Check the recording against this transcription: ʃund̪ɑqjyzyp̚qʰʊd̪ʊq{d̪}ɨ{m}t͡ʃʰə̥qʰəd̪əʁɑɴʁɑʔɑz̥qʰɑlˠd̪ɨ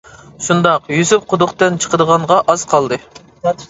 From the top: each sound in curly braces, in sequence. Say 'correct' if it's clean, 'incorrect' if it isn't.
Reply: incorrect, incorrect

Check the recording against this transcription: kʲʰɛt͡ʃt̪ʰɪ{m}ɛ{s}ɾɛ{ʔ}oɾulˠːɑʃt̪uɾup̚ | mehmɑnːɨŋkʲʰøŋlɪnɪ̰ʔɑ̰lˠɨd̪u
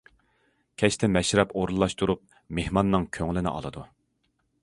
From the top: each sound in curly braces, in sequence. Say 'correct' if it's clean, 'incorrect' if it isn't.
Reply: correct, incorrect, incorrect

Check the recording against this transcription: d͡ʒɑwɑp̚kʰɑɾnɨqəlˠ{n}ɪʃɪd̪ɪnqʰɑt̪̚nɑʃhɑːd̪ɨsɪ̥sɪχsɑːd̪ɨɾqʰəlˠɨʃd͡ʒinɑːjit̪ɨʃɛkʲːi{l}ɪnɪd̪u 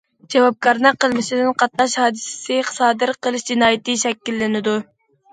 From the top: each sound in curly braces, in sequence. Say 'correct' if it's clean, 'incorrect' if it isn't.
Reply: incorrect, incorrect

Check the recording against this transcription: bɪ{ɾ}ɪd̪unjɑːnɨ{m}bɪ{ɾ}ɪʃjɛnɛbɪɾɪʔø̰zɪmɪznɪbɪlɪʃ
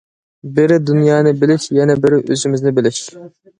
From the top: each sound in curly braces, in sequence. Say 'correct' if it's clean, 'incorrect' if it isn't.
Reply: correct, incorrect, incorrect

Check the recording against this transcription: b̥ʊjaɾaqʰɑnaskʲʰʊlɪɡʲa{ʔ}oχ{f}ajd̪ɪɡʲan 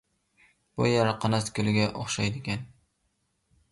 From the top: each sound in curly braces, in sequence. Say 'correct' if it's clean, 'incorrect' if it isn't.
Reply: correct, incorrect

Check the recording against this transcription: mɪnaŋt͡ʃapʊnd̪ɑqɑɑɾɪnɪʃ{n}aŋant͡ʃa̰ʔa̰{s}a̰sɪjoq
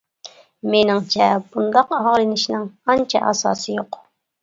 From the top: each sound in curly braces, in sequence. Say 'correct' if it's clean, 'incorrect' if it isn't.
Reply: correct, correct

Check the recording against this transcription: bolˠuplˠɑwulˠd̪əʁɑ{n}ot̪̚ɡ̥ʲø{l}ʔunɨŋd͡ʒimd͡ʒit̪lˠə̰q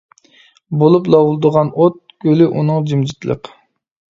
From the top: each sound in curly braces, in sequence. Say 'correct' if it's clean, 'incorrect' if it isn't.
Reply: correct, correct

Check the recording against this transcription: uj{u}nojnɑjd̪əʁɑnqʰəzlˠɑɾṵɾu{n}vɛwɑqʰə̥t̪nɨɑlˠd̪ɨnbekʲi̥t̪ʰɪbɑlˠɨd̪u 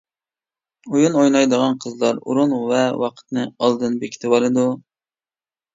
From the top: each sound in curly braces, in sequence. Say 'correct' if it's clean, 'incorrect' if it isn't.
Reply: correct, correct

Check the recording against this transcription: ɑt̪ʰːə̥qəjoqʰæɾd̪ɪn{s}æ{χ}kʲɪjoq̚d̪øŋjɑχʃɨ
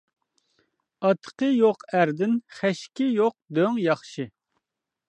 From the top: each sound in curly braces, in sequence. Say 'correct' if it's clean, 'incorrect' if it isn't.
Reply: incorrect, incorrect

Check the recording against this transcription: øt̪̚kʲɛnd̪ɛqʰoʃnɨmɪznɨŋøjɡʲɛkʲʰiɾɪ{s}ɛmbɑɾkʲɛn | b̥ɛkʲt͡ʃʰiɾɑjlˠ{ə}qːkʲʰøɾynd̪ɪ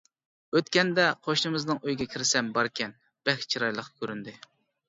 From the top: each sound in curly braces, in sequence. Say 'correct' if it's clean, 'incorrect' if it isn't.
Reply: correct, correct

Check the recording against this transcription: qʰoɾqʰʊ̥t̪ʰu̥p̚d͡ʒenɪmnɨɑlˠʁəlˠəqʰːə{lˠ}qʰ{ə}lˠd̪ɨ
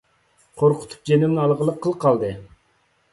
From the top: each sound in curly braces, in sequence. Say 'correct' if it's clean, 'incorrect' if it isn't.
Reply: correct, incorrect

